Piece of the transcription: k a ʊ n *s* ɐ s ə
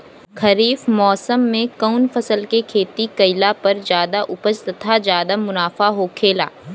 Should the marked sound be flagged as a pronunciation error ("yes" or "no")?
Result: yes